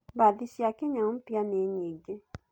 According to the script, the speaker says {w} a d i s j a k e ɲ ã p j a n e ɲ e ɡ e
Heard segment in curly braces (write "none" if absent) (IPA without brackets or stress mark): b